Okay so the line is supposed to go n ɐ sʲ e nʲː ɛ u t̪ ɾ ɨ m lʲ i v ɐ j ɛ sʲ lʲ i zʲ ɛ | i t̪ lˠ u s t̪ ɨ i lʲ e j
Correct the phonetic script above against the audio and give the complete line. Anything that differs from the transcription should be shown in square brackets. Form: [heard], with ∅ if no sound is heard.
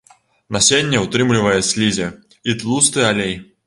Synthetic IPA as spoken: n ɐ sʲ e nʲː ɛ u t̪ ɾ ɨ m lʲ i v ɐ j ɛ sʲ lʲ i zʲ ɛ | i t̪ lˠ u s t̪ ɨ [a] lʲ e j